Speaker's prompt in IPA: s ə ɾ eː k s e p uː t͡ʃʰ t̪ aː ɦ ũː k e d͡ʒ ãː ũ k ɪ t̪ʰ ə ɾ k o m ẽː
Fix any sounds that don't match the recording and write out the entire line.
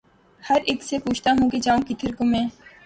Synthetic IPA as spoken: h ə ɾ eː k s e p uː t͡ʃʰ t̪ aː ɦ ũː k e d͡ʒ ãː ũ k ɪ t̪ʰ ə ɾ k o m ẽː